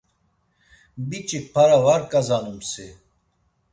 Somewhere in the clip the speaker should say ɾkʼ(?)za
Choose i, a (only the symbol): a